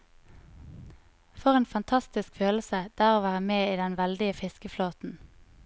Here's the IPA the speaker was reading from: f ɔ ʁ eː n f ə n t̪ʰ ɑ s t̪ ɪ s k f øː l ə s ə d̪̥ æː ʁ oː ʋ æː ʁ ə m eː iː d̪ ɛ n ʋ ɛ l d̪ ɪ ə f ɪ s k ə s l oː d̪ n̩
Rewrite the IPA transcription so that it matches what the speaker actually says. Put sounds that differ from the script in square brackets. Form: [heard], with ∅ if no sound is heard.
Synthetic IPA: f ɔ ʁ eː n f [ɑ] n t̪ʰ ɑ s t̪ ɪ s k f øː l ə s ə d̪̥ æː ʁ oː ʋ æː ʁ ə m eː iː d̪ ɛ n ʋ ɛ l d̪ ɪ ə f ɪ s k ə [f] l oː [t̪] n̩

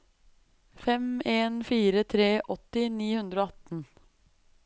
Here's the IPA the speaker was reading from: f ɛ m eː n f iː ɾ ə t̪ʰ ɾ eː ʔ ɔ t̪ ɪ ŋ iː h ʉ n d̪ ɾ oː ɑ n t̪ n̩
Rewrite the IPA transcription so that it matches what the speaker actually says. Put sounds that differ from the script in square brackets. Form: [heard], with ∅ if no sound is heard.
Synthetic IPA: f ɛ m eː n f iː ɾ ə t̪ʰ ɾ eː ʔ ɔ t̪ ɪ [n] iː h ʉ n d̪ ɾ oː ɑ [∅] t̪ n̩

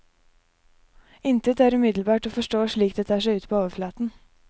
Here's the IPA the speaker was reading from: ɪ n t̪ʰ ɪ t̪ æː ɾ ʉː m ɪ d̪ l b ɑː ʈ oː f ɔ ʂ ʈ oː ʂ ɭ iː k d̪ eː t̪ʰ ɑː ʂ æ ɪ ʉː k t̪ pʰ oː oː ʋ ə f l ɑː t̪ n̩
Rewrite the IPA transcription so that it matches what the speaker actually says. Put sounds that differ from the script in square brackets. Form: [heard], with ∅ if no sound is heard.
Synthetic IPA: ɪ n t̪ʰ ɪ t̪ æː ɾ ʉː m ɪ d̪ l b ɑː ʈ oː f ɔ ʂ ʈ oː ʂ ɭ iː k d̪ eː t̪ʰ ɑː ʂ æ ɪ ʉː [∅] t̪ pʰ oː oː ʋ ə f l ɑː t̪ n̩

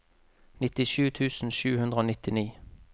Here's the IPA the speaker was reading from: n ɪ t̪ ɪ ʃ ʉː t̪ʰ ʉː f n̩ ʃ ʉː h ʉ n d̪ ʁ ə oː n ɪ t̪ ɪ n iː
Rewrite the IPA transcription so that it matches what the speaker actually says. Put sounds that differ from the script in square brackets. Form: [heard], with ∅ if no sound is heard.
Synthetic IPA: n ɪ t̪ ɪ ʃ ʉː t̪ʰ ʉː [s] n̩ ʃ ʉː h ʉ n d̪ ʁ ə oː n ɪ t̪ ɪ n iː

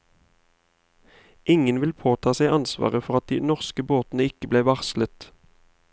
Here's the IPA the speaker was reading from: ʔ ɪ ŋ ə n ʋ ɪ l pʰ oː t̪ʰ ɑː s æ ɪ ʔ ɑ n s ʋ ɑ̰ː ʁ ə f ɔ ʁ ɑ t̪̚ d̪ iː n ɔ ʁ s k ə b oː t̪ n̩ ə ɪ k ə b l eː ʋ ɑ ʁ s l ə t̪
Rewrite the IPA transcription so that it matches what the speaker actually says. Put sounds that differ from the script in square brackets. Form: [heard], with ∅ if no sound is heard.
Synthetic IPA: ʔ ɪ ŋ ə n ʋ ɪ l pʰ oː t̪ʰ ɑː s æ ɪ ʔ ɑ n s ʋ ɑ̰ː ʁ ə f ɔ ʁ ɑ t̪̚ d̪ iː n ɔ ʁ s k ə b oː t̪ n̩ ə ɪ k ə b l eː ʋ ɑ ʁ s l ə t̪

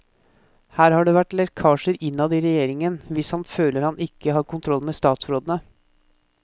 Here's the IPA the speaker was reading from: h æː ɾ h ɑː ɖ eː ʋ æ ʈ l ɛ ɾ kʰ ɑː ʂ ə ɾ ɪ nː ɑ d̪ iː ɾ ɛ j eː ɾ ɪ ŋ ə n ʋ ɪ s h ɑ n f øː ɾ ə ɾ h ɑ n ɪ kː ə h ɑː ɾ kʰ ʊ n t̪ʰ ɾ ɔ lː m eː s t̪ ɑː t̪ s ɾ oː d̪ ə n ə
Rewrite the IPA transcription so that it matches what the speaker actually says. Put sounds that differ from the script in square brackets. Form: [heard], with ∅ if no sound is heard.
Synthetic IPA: h æː ɾ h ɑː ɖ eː ʋ æ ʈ l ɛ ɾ kʰ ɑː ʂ ə ɾ ɪ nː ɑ d̪ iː ɾ ɛ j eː ɾ ɪ ŋ ə n ʋ ɪ s h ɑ n f øː [l] ə ɾ h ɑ n ɪ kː ə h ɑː ɾ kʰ ʊ n t̪ʰ ɾ ɔ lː m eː s t̪ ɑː t̪ s ɾ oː d̪ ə n ə

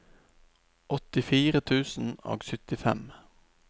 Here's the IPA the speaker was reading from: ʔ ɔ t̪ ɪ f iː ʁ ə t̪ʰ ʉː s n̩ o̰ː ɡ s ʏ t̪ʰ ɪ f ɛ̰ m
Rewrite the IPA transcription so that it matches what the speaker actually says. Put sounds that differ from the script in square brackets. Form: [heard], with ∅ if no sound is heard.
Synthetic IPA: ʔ ɔ t̪ ɪ f iː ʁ ə t̪ʰ ʉː s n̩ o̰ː ɡ s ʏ [t̪] ɪ f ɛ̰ m

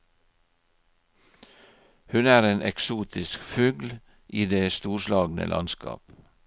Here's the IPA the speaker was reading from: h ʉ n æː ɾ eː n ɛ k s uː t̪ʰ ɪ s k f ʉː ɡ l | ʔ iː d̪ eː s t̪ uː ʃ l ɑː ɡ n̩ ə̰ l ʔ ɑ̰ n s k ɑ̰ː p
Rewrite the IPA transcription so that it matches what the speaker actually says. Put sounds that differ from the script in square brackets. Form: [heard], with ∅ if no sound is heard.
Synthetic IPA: h ʉ n æː ɾ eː n ɛ k s uː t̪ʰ ɪ s k f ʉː ɡ l | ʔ iː d̪ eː s t̪ uː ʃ l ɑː ɡ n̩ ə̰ l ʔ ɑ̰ n s k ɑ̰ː p

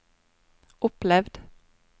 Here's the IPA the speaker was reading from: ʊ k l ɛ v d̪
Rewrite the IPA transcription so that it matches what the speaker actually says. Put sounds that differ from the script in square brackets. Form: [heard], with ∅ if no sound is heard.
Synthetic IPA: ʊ [p] l ɛ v d̪

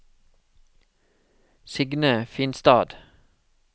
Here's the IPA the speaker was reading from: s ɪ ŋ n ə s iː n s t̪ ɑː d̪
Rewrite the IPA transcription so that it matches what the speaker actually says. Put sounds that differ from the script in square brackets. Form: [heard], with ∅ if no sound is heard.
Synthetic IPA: s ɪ [ɡ] n ə [f] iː n s t̪ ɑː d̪

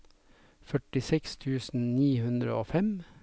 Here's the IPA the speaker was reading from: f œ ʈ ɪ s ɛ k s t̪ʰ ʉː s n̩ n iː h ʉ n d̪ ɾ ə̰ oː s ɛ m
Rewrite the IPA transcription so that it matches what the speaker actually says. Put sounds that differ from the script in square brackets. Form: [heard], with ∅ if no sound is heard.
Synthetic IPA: f œ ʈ ɪ s ɛ k s t̪ʰ ʉː s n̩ n iː h ʉ n d̪ ɾ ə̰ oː [f] ɛ m

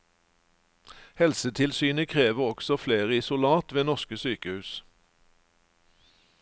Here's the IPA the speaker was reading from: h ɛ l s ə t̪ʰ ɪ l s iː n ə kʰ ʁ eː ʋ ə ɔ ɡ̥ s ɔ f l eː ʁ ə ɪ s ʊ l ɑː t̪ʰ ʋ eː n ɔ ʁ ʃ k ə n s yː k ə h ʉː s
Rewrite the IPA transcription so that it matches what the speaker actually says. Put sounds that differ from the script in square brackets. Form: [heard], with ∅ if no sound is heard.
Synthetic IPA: h ɛ l s ə t̪ʰ ɪ l s [yː] n ə kʰ ʁ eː ʋ ə ɔ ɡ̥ s ɔ f l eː ʁ ə ɪ s ʊ l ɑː [t̪] ʋ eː n ɔ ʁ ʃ k ə [∅] s yː k ə h ʉː s

